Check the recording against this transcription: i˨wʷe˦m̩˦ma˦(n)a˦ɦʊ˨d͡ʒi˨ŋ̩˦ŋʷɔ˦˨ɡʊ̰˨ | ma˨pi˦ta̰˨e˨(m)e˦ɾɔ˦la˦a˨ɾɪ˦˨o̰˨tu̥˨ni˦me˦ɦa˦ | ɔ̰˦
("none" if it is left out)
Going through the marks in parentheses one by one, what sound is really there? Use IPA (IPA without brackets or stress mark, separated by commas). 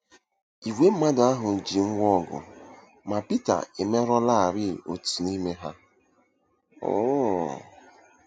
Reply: d, m